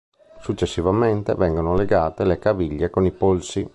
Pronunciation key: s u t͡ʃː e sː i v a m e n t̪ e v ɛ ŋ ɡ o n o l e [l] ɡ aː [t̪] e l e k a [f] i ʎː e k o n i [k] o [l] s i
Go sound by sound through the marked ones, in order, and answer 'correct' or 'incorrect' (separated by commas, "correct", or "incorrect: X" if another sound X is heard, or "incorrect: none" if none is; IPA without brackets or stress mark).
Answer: incorrect: none, correct, incorrect: v, incorrect: p, correct